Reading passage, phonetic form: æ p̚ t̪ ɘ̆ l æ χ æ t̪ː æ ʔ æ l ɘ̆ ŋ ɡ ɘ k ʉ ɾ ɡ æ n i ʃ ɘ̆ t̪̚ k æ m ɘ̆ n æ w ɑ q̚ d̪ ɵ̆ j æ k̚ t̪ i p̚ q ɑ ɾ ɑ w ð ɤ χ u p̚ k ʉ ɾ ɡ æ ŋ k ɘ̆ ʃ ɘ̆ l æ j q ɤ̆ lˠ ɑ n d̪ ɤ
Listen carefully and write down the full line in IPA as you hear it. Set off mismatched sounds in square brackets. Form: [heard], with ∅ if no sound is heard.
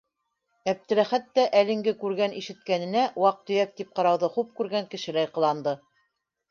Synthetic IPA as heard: æ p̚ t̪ ɘ̆ l æ χ æ t̪ː æ ʔ æ l ɘ̆ ŋ ɡ ɘ k ʉ ɾ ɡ æ n i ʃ ɘ̆ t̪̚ k æ [n] ɘ̆ n æ w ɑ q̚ [t̪] ɵ̆ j æ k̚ t̪ i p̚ q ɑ ɾ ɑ w ð ɤ χ u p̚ k ʉ ɾ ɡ æ ŋ k ɘ̆ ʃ ɘ̆ l æ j q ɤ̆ lˠ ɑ n d̪ ɤ